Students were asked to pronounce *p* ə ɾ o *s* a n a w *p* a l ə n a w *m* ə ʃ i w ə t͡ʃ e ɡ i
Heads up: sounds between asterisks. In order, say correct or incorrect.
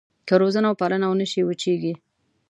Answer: incorrect, incorrect, correct, incorrect

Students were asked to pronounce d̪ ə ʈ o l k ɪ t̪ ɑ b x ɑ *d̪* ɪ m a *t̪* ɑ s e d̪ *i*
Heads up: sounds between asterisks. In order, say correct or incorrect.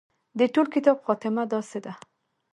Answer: incorrect, incorrect, incorrect

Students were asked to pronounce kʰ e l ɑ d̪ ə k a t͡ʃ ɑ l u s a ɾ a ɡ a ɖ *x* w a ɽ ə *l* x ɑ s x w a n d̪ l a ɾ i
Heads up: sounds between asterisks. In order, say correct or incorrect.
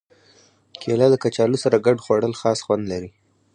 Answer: correct, correct

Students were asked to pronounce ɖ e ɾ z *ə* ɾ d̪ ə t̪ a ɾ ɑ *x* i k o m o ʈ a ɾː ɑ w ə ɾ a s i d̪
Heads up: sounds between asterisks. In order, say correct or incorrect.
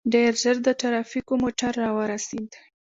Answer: correct, incorrect

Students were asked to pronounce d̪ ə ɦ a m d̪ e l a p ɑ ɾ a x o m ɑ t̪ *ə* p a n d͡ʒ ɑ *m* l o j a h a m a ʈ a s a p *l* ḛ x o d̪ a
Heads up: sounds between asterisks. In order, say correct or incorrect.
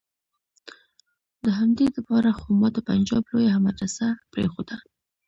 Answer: correct, incorrect, incorrect

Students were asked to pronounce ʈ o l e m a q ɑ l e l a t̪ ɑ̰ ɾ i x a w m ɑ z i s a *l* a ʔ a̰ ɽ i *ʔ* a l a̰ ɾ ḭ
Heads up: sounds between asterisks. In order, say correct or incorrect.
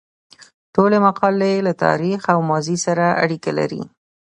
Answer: incorrect, incorrect

